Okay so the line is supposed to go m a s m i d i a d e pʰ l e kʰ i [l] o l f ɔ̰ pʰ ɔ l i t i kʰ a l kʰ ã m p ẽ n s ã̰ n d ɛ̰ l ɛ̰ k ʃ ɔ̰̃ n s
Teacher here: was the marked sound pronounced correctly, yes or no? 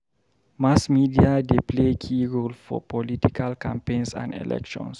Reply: no